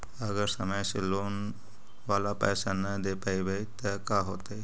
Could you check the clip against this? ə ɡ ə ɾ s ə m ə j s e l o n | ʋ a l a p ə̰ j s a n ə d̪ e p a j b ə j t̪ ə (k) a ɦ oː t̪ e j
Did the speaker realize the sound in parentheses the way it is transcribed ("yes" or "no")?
yes